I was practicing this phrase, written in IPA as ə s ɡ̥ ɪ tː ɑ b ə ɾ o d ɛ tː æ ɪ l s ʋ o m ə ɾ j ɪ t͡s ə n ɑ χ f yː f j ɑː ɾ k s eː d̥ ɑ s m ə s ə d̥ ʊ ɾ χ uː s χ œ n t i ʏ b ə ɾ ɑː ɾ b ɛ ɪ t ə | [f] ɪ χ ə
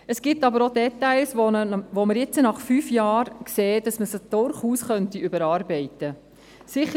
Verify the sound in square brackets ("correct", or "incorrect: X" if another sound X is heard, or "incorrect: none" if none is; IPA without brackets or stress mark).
incorrect: s